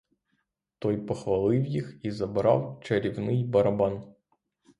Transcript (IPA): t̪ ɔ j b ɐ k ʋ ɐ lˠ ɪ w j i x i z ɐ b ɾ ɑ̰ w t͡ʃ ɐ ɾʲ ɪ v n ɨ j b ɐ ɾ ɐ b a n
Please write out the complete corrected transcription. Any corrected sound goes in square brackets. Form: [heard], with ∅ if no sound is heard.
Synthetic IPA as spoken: t̪ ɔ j [p] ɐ [x] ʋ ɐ lˠ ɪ w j i x i z ɐ b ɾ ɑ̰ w t͡ʃ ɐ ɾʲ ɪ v n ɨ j b ɐ ɾ ɐ b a n